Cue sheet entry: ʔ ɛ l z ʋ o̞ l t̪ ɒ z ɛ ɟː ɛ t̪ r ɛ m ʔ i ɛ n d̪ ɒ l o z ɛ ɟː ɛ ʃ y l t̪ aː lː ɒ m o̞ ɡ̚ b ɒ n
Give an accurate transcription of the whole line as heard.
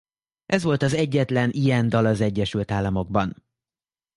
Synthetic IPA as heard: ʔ ɛ z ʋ o̞ l t̪ ɒ z ɛ ɟː ɛ t̪ l ɛ n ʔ i ɛ n d̪ ɒ l ɒ z ɛ ɟː ɛ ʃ y l t̪ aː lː ɒ m o̞ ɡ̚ b ɒ n